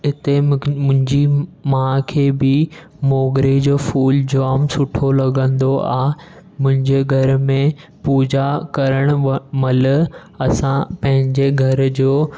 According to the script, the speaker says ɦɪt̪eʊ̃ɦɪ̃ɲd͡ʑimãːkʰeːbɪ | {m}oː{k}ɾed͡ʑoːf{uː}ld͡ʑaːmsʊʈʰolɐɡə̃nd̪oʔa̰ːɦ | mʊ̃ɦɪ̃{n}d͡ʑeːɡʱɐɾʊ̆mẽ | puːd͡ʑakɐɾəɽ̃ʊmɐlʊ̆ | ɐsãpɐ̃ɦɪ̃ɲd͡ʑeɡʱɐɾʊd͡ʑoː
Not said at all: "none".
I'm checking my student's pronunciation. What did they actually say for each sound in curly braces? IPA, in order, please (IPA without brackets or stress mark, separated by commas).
m, ɡ, uː, ɲ